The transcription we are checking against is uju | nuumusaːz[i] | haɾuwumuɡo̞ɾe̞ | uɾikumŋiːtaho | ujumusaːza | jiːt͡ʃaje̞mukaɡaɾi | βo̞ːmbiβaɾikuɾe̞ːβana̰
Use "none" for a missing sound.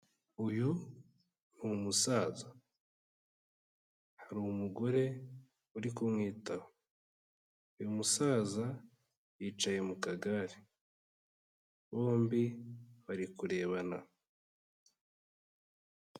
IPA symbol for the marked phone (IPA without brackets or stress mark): a